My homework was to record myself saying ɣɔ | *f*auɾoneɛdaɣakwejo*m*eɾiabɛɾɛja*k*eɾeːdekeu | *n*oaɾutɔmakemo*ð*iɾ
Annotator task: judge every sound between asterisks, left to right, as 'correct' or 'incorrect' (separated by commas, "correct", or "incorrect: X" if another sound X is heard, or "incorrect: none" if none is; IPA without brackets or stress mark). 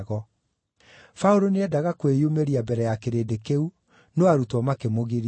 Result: correct, correct, correct, correct, incorrect: ɣ